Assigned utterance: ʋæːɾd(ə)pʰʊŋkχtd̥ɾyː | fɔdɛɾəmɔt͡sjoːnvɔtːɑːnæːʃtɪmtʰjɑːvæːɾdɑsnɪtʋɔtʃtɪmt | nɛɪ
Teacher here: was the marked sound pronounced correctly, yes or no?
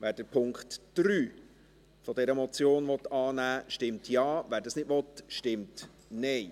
yes